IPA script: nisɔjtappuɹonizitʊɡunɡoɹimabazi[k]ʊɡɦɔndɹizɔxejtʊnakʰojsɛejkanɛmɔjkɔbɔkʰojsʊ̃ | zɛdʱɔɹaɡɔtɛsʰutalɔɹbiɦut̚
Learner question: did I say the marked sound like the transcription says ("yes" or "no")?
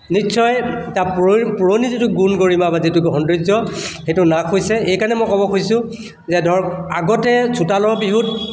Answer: no